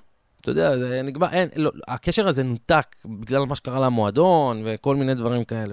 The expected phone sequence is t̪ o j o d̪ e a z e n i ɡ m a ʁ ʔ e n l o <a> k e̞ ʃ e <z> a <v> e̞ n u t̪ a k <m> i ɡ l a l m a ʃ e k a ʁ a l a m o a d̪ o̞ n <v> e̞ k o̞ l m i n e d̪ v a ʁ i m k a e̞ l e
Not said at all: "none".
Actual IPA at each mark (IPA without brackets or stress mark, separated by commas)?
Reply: a, ʁ, z, b, v